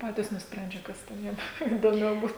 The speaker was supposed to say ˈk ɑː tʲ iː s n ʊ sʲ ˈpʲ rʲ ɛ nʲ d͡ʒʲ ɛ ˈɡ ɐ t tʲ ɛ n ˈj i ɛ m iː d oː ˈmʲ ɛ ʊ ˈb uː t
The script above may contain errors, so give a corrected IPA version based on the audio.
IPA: ˈp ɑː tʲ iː s n ʊ sʲ ˈpʲ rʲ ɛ nʲ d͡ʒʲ ɛ ˈk ɐ s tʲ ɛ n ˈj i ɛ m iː d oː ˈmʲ ɛ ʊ ˈb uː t